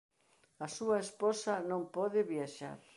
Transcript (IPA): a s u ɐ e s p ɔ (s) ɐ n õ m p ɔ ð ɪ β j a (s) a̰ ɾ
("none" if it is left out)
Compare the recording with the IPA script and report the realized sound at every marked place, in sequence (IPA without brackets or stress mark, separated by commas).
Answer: s, ʃ